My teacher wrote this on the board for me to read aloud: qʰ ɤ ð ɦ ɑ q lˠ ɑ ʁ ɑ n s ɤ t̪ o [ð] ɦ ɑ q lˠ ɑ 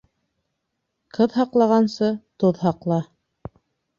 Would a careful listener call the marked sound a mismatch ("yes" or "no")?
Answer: no